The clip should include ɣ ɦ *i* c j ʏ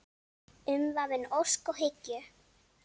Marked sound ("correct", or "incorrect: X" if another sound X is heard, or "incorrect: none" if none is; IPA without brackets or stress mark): incorrect: ɪ